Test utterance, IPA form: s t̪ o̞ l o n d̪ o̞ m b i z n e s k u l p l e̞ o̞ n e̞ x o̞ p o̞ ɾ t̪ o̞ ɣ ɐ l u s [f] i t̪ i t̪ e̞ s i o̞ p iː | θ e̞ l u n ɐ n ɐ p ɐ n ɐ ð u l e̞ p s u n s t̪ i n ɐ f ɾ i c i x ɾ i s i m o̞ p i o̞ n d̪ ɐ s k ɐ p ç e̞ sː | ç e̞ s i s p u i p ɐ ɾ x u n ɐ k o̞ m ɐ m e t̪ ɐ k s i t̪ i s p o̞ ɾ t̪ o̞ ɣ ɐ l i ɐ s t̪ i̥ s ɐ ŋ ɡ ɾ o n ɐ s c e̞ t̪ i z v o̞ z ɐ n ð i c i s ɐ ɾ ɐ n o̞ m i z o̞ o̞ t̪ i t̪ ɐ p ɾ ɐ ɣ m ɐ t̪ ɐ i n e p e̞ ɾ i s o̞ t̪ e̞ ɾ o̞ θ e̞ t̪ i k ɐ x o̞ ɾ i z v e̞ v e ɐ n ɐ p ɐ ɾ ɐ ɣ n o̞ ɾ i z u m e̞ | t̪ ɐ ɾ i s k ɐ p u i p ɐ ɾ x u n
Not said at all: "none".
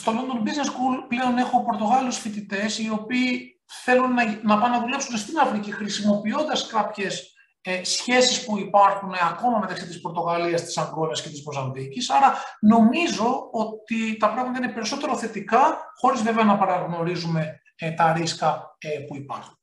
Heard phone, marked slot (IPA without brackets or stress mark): f